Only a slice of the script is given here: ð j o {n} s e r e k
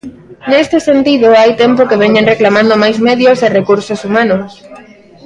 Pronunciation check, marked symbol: incorrect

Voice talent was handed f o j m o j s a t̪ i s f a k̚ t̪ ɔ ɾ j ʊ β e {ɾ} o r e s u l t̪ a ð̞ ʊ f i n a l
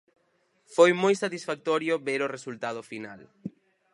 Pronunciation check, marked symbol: correct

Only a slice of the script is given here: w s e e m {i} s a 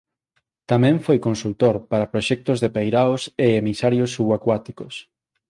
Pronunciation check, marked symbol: correct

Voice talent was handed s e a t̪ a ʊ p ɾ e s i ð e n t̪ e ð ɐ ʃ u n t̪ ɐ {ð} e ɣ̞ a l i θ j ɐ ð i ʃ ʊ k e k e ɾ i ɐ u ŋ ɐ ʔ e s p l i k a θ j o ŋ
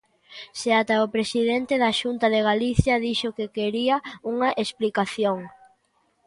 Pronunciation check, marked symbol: correct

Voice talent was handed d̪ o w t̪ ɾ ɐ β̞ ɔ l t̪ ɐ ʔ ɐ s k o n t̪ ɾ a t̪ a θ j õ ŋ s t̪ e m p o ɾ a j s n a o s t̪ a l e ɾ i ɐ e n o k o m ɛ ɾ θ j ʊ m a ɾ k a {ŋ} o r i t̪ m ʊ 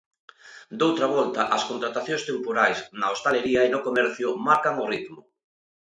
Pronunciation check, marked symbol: correct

